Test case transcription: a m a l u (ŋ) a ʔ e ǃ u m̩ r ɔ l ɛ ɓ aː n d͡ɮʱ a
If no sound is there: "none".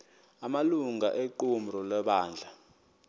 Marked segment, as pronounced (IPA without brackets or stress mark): ŋ